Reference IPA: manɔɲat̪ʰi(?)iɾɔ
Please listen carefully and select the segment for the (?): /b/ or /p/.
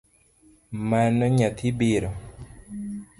b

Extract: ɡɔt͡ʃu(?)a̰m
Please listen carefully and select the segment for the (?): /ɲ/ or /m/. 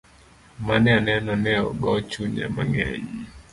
ɲ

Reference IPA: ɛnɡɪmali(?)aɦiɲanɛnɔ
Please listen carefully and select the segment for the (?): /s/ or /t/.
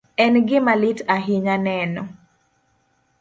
t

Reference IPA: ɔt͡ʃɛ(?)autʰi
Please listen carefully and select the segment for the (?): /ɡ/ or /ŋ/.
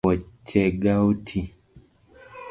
ɡ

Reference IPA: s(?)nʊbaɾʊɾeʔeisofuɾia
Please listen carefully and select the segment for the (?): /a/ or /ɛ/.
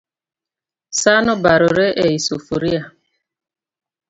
a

